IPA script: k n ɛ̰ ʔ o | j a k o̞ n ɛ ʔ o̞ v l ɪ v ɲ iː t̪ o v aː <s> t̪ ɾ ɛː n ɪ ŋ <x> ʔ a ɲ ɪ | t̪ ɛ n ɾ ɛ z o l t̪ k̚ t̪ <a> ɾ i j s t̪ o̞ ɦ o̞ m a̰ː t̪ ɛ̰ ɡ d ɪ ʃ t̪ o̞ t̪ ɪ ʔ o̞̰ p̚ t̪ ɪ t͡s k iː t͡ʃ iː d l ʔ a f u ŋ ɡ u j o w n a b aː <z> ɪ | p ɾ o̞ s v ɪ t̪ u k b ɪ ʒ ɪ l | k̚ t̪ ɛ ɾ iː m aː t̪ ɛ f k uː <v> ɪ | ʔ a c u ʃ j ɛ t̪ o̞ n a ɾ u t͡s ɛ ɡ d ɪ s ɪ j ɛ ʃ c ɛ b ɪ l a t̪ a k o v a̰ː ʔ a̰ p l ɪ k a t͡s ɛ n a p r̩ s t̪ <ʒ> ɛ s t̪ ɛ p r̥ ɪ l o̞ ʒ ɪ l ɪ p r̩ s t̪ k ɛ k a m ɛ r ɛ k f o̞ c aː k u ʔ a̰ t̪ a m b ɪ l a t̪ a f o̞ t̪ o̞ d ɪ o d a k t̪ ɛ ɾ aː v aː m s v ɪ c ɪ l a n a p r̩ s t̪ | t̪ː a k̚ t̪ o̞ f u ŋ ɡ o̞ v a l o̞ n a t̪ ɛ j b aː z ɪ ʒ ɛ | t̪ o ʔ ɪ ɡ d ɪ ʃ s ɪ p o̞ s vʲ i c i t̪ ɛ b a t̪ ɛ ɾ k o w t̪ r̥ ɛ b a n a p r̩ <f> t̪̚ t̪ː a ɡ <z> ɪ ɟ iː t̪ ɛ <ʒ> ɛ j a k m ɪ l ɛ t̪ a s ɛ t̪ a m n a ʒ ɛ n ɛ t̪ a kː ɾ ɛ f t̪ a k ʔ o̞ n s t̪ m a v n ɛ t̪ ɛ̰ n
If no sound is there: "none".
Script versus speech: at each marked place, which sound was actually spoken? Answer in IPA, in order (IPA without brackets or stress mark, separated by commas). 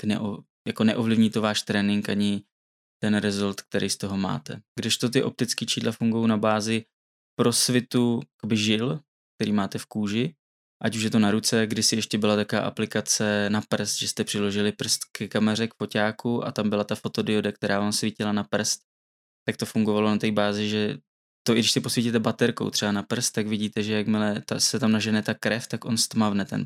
ʃ, k, ɛ, z, ʒ, ʒ, s, v, ʒ